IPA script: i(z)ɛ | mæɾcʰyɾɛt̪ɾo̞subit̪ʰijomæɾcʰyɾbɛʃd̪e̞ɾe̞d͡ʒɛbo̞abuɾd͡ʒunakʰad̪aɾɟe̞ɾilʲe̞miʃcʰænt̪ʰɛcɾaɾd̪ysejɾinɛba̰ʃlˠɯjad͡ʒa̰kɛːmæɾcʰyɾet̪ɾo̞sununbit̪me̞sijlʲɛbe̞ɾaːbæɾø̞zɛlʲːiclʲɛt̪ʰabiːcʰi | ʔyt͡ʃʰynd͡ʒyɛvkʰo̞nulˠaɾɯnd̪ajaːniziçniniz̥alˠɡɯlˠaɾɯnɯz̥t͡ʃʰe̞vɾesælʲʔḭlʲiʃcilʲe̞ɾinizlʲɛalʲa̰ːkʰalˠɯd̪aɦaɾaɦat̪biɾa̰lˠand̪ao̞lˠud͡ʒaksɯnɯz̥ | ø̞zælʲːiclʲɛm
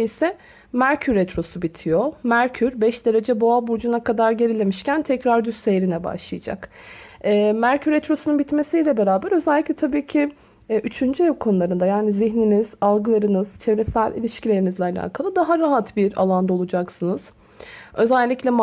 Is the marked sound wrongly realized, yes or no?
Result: yes